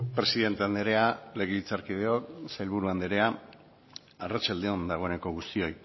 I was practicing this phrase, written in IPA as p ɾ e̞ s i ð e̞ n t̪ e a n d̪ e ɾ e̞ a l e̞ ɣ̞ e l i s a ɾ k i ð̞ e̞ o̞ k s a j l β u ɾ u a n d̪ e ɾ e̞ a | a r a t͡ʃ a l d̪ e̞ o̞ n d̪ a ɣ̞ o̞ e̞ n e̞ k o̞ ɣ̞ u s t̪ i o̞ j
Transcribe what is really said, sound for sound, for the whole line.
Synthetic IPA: p ɾ e̞ s i ð e̞ n t̪ e a n d̪ e ɾ e̞ a l e̞ ɣ̞ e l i t͡s a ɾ k i ð̞ e̞ o̞ k s a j l β u ɾ u a n d̪ e ɾ e̞ a | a r a t͡ʃ a l d̪ e̞ o̞ n d̪ a ɣ̞ o̞ e̞ n e̞ k o̞ ɣ̞ u s t̪ i o̞ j